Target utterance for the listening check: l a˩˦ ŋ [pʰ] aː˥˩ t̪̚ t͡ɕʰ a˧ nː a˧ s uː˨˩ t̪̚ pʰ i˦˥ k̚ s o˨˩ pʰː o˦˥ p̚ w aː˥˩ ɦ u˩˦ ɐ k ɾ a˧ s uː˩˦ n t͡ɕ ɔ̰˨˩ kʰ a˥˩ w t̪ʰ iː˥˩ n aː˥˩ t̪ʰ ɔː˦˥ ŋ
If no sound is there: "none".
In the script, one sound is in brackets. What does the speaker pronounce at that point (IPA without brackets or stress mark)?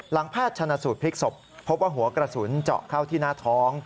pʰ